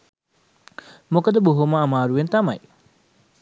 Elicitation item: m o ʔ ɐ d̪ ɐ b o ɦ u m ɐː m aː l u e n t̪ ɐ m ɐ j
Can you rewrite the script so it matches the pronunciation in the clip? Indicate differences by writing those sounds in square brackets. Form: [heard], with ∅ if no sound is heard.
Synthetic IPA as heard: m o [k] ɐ d̪ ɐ b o ɦ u m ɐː m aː [ɾ] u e n t̪ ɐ m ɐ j